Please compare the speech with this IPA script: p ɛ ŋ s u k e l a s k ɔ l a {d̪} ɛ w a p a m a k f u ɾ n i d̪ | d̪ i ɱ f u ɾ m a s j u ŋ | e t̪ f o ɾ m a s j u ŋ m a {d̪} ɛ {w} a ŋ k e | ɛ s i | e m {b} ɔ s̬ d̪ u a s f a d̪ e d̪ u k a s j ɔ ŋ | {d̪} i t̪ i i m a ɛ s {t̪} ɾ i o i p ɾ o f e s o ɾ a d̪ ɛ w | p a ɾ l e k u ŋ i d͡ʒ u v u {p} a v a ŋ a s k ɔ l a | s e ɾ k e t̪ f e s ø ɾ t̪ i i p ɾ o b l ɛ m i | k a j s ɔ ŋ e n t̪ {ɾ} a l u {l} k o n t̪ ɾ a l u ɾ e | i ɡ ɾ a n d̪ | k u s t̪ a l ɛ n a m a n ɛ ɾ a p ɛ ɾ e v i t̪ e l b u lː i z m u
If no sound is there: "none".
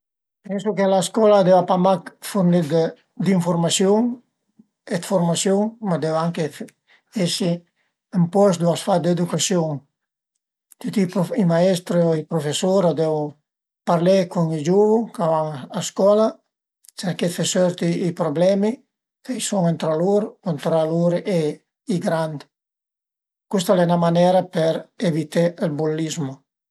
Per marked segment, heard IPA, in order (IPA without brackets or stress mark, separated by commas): d̪, d̪, w, p, t̪, t̪, k, ɾ, ɾ